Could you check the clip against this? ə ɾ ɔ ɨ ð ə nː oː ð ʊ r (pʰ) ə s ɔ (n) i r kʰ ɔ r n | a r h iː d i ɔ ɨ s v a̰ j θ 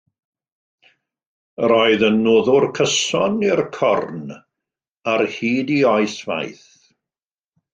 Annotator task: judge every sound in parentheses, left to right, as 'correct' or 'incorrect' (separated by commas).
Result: incorrect, correct